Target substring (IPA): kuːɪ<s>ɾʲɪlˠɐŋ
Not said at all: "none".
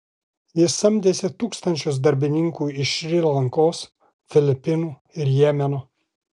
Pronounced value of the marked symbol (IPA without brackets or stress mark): ʃ